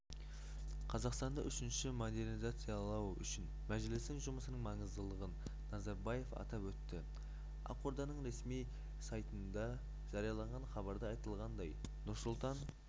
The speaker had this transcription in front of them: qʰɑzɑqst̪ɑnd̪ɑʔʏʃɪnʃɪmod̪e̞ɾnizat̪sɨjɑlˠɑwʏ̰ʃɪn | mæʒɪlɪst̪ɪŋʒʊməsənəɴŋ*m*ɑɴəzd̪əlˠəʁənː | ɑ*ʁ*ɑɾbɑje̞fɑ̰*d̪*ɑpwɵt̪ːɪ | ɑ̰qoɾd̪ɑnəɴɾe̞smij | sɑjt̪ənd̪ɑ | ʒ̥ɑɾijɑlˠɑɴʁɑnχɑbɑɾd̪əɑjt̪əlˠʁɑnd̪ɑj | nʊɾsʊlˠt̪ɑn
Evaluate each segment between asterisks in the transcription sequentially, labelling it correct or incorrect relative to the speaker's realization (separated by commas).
correct, incorrect, incorrect